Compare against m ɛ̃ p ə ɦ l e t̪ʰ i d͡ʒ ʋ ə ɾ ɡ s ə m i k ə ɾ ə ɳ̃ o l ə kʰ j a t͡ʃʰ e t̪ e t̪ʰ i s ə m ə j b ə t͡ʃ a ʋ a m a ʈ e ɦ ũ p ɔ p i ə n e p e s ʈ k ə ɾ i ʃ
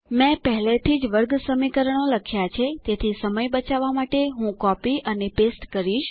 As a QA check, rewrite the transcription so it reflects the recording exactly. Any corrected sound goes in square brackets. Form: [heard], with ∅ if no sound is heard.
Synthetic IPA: m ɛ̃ p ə ɦ l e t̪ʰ i d͡ʒ ʋ ə ɾ ɡ s ə m i k ə ɾ ə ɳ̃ o l ə kʰ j a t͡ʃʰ e t̪ e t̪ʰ i s ə m ə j b ə t͡ʃ a ʋ a m a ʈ e ɦ ũ [k] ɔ p i ə n e p e s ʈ k ə ɾ i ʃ